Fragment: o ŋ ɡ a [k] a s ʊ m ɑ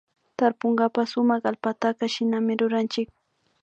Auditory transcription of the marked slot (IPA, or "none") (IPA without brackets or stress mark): p